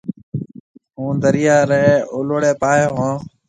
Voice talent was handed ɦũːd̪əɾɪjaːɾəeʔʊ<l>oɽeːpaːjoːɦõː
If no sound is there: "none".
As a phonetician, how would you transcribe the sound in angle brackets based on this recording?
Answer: l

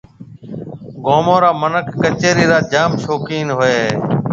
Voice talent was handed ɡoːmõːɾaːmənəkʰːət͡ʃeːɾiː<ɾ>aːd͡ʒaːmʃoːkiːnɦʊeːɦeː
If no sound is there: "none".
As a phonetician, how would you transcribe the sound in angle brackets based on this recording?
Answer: ɾ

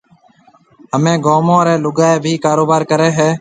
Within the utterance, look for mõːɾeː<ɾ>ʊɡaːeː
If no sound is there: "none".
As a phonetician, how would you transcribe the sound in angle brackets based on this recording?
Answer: l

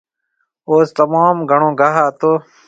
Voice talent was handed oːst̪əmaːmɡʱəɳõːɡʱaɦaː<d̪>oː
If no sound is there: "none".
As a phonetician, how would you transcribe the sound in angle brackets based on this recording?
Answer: t̪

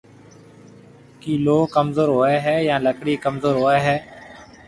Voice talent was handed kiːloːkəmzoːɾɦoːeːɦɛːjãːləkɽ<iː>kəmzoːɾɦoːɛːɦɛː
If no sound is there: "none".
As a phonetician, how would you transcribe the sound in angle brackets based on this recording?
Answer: iː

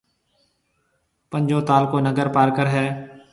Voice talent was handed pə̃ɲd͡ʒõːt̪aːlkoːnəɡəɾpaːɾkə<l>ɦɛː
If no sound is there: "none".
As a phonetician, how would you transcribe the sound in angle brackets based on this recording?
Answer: ɾ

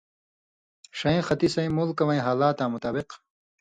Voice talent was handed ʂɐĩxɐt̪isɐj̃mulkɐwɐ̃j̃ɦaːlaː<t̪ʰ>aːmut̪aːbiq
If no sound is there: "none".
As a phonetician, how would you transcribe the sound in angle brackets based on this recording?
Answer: t̪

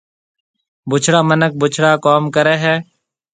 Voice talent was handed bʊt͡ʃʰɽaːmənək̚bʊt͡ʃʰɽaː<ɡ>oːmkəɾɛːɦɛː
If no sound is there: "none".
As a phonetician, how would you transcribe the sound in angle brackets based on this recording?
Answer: k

